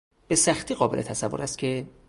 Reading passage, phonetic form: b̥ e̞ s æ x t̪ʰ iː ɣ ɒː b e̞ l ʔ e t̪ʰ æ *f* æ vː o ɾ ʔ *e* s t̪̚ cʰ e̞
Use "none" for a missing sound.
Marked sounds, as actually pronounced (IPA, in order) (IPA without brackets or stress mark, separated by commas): s, æ